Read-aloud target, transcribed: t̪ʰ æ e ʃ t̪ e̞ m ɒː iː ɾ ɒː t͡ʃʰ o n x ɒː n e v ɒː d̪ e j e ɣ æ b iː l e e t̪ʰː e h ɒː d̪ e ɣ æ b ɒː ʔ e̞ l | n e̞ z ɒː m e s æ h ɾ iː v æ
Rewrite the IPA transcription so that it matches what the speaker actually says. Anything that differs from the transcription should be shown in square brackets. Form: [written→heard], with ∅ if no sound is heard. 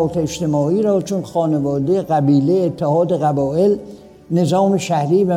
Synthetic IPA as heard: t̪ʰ [æ→e] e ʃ t̪ e̞ m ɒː iː ɾ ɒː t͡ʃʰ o n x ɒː n e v ɒː d̪ e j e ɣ æ b iː l e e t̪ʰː e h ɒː d̪ e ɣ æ b ɒː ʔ e̞ l | n e̞ z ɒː m e [s→ʃ] æ h ɾ iː v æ